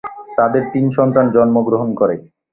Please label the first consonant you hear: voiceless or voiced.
voiceless